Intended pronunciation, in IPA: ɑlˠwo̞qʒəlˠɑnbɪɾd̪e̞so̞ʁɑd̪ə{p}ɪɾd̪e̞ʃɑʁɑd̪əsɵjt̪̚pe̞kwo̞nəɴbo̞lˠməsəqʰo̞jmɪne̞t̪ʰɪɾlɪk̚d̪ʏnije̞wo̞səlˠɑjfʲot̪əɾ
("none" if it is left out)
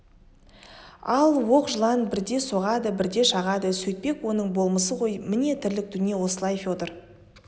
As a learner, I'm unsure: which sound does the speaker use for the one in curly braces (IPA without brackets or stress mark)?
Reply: b